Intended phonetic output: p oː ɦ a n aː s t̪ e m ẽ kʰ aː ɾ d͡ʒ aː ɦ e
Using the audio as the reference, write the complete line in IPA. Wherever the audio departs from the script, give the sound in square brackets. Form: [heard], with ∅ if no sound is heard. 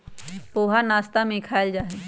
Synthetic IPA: p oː ɦ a n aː s t̪ [a] m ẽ kʰ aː [l] d͡ʒ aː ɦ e